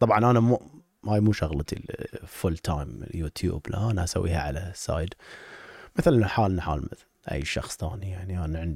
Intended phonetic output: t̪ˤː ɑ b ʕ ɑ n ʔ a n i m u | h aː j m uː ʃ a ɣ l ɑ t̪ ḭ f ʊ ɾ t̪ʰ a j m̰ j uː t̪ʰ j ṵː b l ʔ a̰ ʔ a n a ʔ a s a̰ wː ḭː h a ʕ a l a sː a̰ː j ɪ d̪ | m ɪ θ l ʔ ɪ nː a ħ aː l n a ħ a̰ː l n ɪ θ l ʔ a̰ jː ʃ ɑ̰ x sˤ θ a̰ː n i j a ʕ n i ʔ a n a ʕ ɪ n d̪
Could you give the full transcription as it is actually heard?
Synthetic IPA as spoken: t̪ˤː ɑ b ʕ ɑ n ʔ a n a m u | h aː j m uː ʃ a ɣ l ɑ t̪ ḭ f ʊ l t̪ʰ a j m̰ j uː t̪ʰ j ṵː b l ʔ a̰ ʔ a n a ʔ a s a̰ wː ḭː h a ʕ a l a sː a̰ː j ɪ d̪ | m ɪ θ l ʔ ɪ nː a ħ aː l n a ħ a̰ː l m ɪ θ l ʔ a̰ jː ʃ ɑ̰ x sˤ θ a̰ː n i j a ʕ n i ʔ a n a ʕ ɪ n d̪